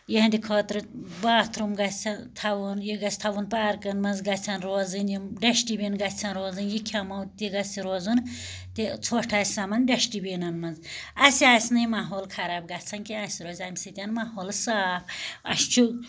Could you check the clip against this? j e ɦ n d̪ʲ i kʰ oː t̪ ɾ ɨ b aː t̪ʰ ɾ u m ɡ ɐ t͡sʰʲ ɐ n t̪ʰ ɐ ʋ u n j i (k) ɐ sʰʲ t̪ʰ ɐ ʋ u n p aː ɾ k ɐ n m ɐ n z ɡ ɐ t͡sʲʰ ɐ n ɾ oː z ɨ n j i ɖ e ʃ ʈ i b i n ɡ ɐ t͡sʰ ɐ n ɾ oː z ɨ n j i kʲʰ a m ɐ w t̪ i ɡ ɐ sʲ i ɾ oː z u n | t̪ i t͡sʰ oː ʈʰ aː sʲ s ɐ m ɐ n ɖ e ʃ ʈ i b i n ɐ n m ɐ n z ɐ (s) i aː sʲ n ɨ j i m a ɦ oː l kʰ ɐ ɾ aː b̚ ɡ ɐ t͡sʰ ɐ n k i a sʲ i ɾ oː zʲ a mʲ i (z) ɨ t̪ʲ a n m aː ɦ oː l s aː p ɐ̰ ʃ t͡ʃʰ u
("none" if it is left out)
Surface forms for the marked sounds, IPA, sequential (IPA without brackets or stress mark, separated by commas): ɡ, s, s